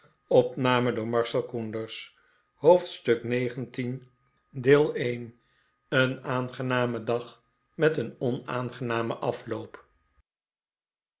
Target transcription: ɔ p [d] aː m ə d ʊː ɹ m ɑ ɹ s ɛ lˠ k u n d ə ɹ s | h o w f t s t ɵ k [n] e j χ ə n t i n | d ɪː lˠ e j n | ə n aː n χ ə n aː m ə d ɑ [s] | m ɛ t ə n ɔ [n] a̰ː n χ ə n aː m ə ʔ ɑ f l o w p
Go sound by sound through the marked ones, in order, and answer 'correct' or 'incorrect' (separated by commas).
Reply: incorrect, correct, incorrect, correct